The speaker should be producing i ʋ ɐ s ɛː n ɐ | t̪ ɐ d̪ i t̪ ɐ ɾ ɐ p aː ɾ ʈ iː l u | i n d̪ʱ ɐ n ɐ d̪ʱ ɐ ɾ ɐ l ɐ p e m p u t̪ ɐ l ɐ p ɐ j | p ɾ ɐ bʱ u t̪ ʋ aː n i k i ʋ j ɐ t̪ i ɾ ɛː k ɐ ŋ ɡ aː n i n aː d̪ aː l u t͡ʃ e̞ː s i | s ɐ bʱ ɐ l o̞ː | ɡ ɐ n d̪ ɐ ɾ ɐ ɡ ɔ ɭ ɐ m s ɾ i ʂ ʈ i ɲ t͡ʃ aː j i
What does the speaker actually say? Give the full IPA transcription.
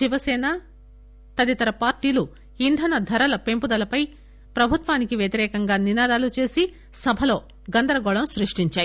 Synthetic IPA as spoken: i ʋ ɐ s ɛː n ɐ | t̪ ɐ d̪ i t̪ ɐ ɾ ɐ p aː ɾ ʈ iː l u | i n d̪ʱ ɐ n ɐ d̪ʱ ɐ ɾ ɐ l ɐ p e m p u d̪ ɐ l ɐ p ɐ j | p ɾ ɐ bʱ u t̪ ʋ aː n i k i ʋ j ɐ t̪ i ɾ ɛː k ɐ ŋ ɡ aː n i n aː d̪ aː l u t͡ʃ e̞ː s i | s ɐ bʱ ɐ l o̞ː | ɡ ɐ n d̪ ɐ ɾ ɐ ɡ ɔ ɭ ɐ m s ɾ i ʂ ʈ i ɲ t͡ʃ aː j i